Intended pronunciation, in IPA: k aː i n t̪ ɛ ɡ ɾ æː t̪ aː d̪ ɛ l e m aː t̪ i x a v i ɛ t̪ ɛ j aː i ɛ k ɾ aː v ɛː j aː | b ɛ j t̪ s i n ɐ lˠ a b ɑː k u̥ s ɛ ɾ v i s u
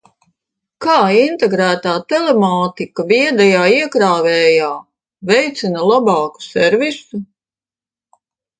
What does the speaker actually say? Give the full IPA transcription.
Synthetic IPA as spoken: k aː i n t̪ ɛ ɡ ɾ æː t̪ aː t̪ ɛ l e m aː t̪ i k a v i ɛ d̪ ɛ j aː i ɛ k ɾ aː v ɛː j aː | v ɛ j t̪ s i n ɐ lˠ a b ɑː k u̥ s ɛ ɾ v i s u